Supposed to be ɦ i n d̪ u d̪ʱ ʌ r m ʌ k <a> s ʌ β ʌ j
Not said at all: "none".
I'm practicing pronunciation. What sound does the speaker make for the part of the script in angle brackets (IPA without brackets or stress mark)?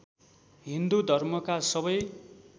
a